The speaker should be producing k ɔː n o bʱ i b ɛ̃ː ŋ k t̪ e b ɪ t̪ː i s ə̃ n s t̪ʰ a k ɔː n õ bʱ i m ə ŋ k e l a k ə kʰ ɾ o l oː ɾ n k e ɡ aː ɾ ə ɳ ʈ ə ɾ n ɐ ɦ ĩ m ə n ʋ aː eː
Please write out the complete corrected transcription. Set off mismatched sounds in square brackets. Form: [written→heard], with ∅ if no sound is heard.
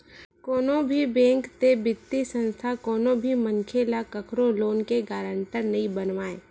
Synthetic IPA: k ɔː n o bʱ i b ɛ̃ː ŋ k t̪ e b ɪ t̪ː i s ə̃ n s t̪ʰ a k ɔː n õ bʱ i m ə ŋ [k→kʰ] e l a k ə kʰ ɾ o l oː [ɾ→∅] n k e ɡ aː ɾ ə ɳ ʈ ə ɾ n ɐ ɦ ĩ [m→b] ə n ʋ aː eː